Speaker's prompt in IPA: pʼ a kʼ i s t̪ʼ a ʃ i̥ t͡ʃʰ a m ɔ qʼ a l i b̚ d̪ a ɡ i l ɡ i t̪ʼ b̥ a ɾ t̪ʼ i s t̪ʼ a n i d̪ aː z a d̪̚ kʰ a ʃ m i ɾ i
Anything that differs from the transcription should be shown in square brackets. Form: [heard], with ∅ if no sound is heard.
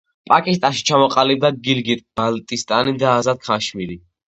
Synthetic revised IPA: pʼ a kʼ i s t̪ʼ a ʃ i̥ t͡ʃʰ a m ɔ qʼ a l i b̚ d̪ a ɡ i l ɡ i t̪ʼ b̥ a [l] t̪ʼ i s t̪ʼ a n i d̪ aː z a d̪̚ kʰ a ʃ m i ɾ i